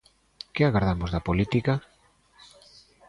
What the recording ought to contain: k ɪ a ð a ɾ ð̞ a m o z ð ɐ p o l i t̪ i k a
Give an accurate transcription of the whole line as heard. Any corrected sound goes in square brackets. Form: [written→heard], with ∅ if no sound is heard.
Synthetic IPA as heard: k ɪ a [ð→ɣ] a ɾ ð̞ a m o z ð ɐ p o l i t̪ i k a